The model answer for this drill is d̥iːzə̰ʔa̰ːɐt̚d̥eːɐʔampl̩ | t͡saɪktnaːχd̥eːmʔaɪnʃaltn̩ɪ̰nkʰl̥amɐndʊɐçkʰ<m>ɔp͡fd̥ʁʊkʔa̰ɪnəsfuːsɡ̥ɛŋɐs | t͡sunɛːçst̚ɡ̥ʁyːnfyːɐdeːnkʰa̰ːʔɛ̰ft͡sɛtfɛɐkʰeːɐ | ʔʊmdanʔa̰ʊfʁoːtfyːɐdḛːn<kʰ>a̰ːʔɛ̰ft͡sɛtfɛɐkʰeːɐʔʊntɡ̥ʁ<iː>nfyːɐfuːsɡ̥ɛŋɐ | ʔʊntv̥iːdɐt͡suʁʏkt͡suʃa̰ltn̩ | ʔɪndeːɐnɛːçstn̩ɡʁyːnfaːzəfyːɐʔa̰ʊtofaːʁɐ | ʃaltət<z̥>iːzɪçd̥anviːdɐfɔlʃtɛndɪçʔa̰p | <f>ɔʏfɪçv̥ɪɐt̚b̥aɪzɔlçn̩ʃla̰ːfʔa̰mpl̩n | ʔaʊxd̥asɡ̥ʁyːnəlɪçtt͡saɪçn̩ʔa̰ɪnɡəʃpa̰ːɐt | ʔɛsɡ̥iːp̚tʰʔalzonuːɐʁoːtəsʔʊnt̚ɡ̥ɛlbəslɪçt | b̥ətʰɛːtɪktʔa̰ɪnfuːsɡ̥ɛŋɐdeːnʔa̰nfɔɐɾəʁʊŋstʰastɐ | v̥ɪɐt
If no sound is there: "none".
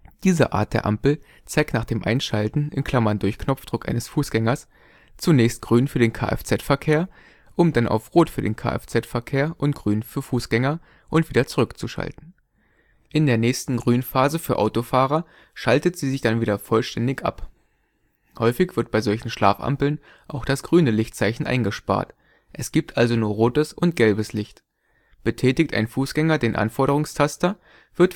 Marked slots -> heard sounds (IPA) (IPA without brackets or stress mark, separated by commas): n, kʰ, yː, z̥, h